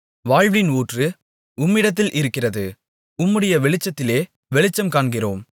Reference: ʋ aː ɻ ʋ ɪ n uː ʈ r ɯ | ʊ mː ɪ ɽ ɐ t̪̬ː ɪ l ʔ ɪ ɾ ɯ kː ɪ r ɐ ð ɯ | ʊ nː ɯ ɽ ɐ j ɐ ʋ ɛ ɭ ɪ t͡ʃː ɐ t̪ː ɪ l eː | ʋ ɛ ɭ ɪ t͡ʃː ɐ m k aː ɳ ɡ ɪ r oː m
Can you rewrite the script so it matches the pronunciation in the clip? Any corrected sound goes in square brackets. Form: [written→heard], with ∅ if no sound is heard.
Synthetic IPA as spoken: ʋ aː ɻ ʋ ɪ n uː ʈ r ɯ | ʊ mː ɪ ɽ ɐ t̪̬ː ɪ l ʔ ɪ ɾ ɯ kː ɪ r ɐ ð ɯ | ʊ [nː→mː] ɯ ɽ ɐ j ɐ ʋ ɛ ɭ ɪ t͡ʃː ɐ t̪ː ɪ l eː | ʋ ɛ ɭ ɪ t͡ʃː ɐ m k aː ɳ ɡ ɪ r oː m